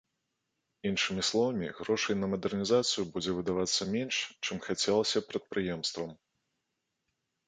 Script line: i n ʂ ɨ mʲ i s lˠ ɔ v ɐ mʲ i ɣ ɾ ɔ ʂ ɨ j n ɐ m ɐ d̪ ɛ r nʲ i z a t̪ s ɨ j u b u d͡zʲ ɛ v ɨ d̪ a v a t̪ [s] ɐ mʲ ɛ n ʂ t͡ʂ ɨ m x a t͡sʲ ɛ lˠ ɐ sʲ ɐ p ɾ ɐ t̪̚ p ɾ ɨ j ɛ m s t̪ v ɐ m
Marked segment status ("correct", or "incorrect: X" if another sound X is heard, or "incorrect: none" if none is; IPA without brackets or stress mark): incorrect: sː